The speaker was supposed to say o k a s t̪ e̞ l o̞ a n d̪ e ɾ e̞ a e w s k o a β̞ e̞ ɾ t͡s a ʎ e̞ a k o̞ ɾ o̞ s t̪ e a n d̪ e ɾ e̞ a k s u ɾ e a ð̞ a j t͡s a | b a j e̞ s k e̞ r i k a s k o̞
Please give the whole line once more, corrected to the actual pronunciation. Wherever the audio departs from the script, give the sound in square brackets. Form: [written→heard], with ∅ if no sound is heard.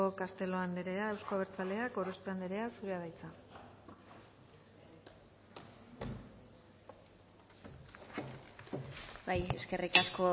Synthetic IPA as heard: o k a s t̪ e̞ l o̞ a n d̪ e ɾ e̞ a e w s k o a β̞ e̞ ɾ t͡s a [ʎ→l] e̞ a k o̞ ɾ o̞ s t̪ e a n d̪ e ɾ e̞ a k s u ɾ e a ð̞ a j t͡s a | b a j e̞ s k e̞ r i k a s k o̞